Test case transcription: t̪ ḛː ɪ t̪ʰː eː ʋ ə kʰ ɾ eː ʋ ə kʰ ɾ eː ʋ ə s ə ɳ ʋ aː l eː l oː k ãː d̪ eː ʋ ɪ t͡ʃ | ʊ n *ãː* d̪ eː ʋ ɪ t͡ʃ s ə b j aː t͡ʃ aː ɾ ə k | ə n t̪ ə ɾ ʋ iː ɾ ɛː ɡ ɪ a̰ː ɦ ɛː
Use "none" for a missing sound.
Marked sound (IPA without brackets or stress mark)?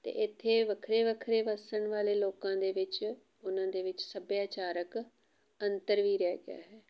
ãː